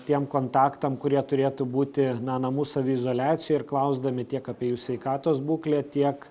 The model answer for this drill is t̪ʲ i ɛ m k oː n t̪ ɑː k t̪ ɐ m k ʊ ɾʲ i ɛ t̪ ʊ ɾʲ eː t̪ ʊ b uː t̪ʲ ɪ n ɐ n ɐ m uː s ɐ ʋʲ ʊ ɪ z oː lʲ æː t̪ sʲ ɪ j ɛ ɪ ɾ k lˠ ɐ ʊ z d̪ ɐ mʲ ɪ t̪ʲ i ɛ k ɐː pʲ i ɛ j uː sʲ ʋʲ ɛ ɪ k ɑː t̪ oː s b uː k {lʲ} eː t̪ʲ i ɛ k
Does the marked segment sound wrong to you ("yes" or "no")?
no